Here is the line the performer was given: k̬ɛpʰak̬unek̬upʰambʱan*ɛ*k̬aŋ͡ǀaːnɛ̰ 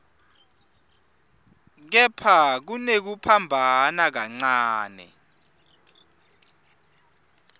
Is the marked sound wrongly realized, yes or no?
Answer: yes